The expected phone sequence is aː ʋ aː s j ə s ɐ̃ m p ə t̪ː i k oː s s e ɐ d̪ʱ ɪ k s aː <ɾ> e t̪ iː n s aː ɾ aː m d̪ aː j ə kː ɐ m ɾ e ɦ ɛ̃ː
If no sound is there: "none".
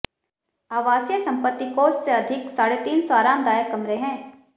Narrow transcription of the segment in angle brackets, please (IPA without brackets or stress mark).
ɽ